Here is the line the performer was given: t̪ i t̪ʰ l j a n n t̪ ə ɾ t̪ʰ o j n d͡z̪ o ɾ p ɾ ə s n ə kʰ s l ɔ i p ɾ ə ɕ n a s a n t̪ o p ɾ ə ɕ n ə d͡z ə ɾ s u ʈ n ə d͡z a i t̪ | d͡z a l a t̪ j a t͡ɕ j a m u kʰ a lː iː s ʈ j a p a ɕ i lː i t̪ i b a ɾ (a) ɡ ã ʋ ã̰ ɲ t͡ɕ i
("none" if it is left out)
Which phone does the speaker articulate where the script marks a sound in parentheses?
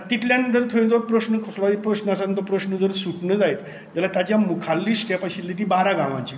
a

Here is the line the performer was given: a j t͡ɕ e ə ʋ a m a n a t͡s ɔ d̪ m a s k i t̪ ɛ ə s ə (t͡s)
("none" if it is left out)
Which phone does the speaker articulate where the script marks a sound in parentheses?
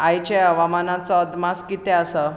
none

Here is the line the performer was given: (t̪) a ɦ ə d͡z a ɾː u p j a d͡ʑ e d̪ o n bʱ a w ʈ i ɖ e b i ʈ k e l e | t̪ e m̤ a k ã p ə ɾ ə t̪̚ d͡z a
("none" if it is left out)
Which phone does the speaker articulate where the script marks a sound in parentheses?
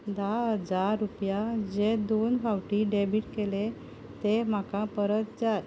d̪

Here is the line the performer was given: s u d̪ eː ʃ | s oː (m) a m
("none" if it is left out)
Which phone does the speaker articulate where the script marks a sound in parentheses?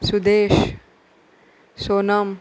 n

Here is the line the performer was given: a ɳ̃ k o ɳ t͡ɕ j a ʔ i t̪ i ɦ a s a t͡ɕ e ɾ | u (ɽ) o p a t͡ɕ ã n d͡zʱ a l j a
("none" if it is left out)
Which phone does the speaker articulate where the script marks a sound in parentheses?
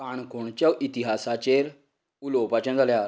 l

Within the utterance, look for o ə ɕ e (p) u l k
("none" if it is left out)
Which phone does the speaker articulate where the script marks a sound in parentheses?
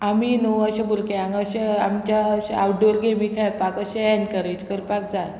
b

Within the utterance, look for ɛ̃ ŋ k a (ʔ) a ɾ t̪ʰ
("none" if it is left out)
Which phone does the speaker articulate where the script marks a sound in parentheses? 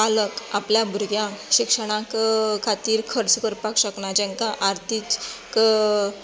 ʔ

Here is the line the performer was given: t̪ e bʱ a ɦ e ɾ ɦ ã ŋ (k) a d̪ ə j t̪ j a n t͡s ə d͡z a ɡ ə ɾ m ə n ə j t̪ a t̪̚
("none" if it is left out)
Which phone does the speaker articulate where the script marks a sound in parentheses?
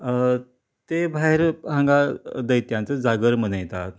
ɡ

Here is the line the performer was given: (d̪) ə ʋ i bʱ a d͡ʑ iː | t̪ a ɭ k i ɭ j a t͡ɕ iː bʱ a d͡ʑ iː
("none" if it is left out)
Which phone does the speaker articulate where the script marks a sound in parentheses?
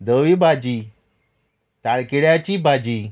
d̪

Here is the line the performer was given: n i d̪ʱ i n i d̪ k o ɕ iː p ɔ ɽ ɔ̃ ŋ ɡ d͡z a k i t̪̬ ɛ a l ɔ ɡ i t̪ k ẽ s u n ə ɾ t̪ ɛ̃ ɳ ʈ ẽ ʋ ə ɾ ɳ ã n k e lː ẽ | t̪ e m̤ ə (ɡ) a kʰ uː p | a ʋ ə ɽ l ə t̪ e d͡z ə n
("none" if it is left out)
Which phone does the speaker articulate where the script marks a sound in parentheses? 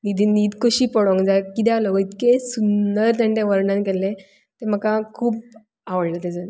k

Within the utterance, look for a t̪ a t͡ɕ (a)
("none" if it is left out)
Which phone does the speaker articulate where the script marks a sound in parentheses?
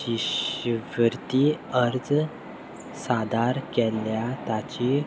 i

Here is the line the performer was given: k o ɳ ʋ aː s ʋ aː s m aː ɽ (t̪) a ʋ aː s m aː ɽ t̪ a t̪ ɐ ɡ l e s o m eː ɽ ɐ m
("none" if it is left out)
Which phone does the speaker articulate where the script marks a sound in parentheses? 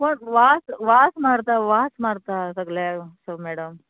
t̪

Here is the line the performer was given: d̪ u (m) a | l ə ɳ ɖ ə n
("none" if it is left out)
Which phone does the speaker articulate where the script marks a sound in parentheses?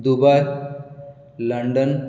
b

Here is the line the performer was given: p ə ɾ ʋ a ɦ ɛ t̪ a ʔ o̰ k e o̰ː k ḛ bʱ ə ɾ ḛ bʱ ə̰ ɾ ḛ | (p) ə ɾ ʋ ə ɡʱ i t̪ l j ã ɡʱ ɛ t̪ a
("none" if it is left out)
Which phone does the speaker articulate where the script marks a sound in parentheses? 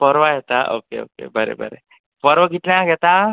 p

